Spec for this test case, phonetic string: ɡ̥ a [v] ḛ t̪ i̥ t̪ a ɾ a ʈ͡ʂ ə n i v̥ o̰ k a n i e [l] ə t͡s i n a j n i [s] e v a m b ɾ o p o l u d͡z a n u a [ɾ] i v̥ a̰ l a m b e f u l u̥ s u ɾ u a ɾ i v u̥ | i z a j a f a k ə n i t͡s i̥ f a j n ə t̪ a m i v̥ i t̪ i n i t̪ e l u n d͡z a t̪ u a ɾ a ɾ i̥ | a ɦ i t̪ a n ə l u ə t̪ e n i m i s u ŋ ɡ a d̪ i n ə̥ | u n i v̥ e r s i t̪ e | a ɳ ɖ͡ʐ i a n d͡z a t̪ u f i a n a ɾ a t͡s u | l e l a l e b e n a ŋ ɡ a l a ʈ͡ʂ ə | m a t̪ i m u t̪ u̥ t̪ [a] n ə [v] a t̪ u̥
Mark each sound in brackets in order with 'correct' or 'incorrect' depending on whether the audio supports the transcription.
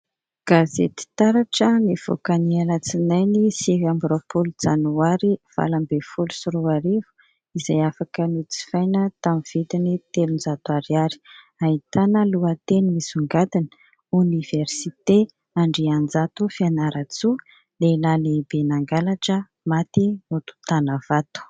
incorrect: z, correct, correct, correct, correct, correct

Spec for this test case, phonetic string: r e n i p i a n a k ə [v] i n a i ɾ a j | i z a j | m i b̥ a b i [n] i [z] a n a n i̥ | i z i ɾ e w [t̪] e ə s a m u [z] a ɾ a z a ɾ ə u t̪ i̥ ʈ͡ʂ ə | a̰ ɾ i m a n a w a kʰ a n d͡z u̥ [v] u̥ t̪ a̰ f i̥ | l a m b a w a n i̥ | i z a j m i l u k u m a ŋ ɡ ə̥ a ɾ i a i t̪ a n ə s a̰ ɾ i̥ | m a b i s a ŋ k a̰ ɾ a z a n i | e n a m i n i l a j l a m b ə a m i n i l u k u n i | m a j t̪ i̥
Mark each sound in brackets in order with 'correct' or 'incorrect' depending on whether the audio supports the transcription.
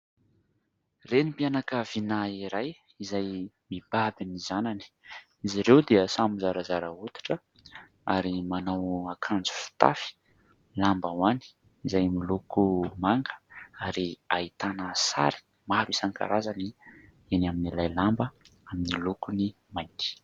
correct, correct, correct, incorrect: d̪, correct, incorrect: f

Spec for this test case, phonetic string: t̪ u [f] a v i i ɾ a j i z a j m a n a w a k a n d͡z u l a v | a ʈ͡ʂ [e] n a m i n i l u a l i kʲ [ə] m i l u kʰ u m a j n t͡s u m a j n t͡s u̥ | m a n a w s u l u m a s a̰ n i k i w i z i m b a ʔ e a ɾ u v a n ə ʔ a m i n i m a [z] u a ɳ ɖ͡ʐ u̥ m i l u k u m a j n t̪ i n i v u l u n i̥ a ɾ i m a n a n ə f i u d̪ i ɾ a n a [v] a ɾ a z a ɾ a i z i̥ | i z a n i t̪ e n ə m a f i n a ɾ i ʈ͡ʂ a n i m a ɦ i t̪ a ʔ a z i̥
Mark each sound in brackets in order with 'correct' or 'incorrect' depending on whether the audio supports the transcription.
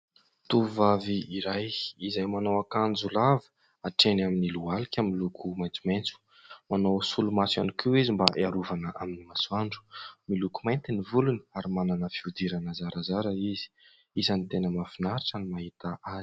incorrect: v, correct, incorrect: a, incorrect: s, incorrect: z

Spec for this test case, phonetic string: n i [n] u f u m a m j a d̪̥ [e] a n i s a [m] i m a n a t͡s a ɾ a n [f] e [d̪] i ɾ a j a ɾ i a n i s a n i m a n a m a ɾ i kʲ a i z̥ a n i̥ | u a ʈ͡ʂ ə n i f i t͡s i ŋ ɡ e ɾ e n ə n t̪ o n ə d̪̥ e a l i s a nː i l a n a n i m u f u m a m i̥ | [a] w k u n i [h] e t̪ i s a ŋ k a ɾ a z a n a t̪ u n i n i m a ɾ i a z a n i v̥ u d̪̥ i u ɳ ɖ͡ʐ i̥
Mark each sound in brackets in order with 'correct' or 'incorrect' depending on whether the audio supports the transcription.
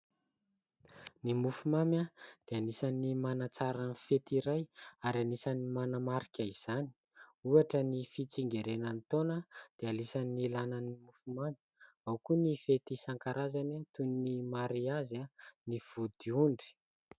incorrect: m, correct, incorrect: n, correct, incorrect: t̪, correct, incorrect: f

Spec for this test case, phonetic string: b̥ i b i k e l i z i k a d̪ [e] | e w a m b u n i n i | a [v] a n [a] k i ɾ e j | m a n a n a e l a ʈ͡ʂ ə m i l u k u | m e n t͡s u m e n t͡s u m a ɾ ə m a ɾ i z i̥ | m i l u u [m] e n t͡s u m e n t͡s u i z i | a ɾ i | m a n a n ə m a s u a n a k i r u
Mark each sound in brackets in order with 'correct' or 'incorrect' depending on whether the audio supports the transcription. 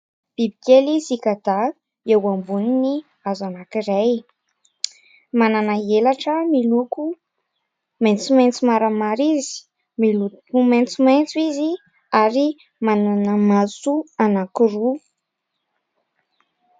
incorrect: a, incorrect: z, correct, correct

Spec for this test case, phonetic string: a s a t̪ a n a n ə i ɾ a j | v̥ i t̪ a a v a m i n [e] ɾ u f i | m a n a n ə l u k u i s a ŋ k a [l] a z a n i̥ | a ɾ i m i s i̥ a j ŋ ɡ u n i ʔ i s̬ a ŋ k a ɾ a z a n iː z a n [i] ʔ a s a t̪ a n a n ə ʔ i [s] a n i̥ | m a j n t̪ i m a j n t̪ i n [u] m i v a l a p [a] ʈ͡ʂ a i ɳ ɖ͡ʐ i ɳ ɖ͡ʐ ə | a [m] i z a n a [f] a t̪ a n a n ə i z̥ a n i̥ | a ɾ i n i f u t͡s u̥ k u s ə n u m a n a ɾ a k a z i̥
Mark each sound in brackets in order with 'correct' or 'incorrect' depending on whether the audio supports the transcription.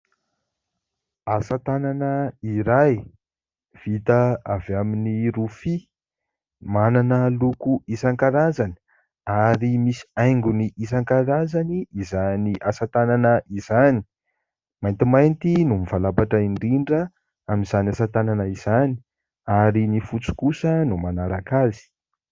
incorrect: i, incorrect: ɾ, correct, incorrect: z, correct, correct, correct, incorrect: s

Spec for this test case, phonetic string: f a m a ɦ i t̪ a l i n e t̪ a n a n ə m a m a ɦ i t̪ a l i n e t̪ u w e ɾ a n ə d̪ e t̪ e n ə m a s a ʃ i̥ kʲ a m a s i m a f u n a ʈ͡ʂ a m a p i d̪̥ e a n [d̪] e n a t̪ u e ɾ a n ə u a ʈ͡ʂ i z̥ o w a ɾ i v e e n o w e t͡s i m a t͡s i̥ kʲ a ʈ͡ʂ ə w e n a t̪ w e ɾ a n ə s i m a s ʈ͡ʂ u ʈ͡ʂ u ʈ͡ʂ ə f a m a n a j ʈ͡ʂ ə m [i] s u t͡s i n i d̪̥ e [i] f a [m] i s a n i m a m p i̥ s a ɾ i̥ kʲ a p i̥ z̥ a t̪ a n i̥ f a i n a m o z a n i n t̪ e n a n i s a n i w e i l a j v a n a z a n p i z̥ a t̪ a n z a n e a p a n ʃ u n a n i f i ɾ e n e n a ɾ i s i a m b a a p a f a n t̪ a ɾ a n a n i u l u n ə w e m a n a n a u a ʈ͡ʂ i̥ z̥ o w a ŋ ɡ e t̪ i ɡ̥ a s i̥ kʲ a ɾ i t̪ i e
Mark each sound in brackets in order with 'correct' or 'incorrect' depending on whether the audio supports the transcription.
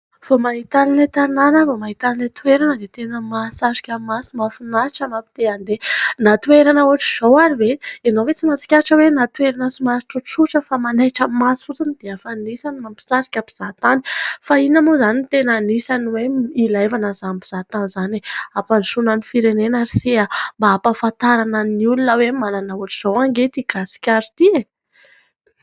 correct, incorrect: a, incorrect: a, incorrect: n

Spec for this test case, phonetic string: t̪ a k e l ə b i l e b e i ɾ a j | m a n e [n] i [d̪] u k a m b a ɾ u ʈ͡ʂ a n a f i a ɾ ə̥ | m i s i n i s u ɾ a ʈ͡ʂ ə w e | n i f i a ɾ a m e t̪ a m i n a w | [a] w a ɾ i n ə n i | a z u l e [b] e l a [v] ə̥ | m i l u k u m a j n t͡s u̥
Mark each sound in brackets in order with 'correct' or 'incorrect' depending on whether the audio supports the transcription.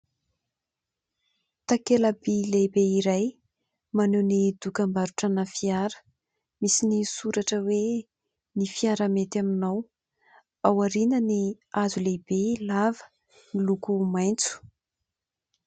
correct, correct, correct, correct, correct

